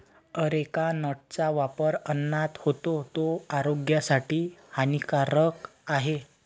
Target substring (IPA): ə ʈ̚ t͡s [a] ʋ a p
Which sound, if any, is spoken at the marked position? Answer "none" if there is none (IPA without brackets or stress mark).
a